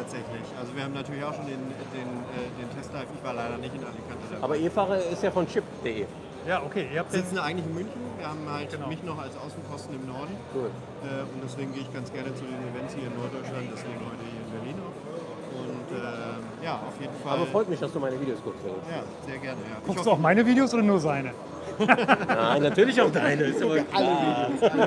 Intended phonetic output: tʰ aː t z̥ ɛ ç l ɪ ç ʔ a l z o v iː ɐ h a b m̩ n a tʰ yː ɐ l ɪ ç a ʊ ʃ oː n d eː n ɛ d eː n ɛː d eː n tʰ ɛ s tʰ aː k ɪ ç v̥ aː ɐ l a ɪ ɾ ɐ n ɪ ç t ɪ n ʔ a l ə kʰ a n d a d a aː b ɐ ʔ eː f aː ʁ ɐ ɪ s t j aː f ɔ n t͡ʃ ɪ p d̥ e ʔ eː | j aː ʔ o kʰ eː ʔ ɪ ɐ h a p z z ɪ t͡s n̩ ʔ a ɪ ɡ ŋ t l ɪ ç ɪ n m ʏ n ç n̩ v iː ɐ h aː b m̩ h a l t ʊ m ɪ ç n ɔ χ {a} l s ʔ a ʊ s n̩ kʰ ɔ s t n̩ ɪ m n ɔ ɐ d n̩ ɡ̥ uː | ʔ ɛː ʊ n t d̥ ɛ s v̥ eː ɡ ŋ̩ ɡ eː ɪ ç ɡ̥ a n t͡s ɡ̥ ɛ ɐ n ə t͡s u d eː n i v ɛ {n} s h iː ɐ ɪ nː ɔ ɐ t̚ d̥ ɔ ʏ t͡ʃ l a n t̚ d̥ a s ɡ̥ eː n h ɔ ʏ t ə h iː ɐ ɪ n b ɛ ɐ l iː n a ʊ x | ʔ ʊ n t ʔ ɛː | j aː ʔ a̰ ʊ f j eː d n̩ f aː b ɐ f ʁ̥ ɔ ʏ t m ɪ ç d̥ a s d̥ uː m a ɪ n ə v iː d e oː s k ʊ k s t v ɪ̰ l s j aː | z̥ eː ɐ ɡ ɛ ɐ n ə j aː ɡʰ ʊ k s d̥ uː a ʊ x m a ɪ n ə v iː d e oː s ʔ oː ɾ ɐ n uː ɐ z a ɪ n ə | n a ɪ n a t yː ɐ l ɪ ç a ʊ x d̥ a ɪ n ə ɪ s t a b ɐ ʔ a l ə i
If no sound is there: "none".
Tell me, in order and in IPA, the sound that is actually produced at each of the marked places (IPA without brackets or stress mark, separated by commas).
a, n